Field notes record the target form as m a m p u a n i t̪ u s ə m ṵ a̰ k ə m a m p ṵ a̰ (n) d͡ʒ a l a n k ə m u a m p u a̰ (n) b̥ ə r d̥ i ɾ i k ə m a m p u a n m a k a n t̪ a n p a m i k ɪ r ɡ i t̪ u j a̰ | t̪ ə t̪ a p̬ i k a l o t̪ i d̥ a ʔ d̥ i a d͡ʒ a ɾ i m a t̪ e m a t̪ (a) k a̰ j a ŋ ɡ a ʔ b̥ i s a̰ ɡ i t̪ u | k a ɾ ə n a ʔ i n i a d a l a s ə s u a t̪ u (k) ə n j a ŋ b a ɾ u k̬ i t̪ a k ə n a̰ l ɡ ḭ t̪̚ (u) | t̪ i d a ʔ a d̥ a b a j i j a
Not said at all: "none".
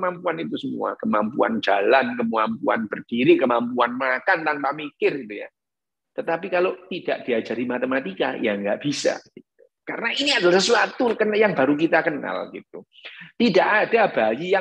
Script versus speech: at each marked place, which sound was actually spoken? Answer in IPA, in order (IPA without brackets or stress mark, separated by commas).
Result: n, n, i, k, u